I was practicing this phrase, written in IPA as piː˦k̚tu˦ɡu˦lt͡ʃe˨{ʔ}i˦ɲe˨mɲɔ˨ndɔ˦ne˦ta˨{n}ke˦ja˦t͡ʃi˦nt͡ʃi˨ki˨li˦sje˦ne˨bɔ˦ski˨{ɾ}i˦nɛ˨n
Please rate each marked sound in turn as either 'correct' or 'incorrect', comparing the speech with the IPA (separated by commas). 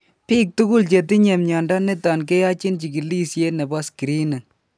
incorrect, correct, correct